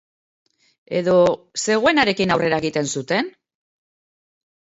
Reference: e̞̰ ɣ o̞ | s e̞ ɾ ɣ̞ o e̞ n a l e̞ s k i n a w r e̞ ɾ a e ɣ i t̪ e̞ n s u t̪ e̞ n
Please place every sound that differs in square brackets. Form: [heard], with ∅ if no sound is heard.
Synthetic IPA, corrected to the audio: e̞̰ [ð] o̞ | s e̞ [∅] ɣ̞ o e̞ n a [ɾ] e̞ [∅] k i n a w r e̞ ɾ a e ɣ i t̪ e̞ n s u t̪ e̞ n